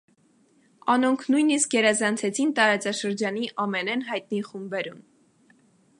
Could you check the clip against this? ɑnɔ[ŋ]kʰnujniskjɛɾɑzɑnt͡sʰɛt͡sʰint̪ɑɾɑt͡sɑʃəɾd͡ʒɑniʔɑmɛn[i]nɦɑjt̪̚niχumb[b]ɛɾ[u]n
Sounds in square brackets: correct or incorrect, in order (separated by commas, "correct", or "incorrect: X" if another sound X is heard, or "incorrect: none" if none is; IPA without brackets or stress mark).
correct, incorrect: ɛ, correct, correct